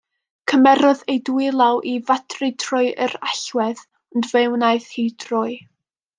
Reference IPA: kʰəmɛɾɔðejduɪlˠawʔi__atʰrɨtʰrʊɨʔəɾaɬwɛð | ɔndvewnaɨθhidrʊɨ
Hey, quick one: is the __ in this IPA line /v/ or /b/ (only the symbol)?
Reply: v